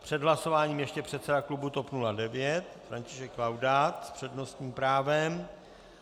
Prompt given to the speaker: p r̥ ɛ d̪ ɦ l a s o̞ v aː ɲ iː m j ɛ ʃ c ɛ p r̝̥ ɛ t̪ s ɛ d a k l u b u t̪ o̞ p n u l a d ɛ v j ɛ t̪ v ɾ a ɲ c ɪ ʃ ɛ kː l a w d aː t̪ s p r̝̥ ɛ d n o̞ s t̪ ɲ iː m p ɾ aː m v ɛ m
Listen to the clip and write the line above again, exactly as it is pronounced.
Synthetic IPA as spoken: p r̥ ɛ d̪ ɦ l a s o̞ v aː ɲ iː m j ɛ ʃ c ɛ p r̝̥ ɛ t̪ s ɛ d a k l u b u t̪ o̞ p n u l a d ɛ v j ɛ t̪ f ɾ a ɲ c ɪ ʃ ɛ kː l a w d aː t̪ s p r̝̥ ɛ d n o̞ s t̪ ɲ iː m p ɾ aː v ɛ m